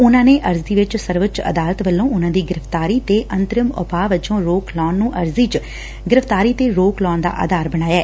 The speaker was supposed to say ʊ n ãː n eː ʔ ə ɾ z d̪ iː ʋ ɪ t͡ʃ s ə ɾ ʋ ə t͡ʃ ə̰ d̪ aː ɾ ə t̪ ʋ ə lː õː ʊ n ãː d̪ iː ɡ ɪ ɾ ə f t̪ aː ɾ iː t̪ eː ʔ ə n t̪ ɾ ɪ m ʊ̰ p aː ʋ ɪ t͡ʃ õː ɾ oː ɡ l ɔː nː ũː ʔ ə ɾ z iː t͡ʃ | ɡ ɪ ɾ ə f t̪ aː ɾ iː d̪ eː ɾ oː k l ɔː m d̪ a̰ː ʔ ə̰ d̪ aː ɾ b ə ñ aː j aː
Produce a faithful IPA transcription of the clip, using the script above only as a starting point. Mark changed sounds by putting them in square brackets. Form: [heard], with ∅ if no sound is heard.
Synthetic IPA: ʊ n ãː n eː ʔ ə ɾ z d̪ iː ʋ ɪ t͡ʃ s ə ɾ ʋ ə t͡ʃ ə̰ d̪ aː [l] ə t̪ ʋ ə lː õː ʊ n ãː d̪ iː ɡ ɪ ɾ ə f t̪ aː ɾ iː t̪ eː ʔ ə n t̪ ɾ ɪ m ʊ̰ p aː ʋ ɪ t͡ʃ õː ɾ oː [k] l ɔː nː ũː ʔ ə ɾ z iː t͡ʃ | ɡ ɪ ɾ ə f t̪ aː ɾ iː [t̪] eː ɾ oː k l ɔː [n] d̪ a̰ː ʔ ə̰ d̪ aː ɾ b ə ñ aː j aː